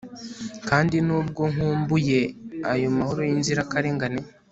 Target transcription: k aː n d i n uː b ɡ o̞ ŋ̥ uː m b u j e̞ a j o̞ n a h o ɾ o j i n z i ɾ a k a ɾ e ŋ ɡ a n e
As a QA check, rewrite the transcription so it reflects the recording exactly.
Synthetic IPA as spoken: k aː n d i n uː b ɡ o̞ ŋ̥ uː m b u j e̞ a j o̞ m a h o ɾ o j i n z i ɾ a k a ɾ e ŋ ɡ a n e